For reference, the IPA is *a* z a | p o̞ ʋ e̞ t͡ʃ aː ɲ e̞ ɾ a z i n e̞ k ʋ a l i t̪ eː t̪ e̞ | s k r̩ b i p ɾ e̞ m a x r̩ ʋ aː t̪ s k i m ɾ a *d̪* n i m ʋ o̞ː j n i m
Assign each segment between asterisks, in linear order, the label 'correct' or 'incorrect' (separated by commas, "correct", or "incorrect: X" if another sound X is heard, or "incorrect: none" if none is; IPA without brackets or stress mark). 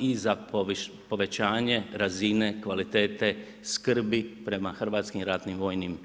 incorrect: i, incorrect: t̪